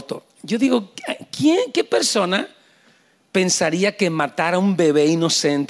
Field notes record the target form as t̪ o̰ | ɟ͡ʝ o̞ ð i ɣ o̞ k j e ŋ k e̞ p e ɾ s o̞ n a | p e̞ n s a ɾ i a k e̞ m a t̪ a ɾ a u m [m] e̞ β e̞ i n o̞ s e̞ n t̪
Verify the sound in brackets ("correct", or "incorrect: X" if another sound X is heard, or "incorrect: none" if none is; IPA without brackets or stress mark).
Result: incorrect: b